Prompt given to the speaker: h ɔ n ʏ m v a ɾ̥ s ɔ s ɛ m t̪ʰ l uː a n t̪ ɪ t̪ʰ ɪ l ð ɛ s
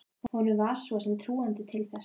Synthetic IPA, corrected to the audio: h ɔ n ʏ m v a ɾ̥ s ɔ s ɛ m t̪ʰ ɾ uː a n t̪ ɪ t̪ʰ ɪ l θ ɛ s